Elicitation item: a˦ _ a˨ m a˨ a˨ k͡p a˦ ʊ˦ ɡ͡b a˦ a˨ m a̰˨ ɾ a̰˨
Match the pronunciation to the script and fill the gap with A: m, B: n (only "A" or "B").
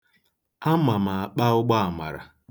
A